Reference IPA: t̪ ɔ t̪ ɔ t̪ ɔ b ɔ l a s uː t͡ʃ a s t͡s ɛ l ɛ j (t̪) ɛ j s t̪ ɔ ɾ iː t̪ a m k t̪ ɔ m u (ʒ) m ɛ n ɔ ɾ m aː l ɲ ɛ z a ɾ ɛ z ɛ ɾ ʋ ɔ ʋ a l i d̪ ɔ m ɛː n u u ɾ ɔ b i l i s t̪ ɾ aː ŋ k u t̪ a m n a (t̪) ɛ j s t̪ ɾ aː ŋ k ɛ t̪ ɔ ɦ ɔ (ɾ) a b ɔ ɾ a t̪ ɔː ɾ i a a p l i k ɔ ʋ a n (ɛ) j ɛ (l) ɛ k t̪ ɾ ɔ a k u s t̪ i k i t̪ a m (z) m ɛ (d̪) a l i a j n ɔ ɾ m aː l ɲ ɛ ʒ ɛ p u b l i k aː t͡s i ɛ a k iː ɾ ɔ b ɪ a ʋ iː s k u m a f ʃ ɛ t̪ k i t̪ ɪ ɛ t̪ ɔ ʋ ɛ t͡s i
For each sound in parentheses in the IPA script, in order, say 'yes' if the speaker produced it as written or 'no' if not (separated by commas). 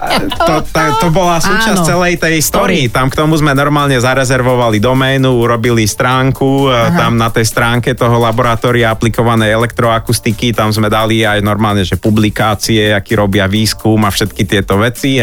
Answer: yes, no, yes, no, yes, yes, yes, yes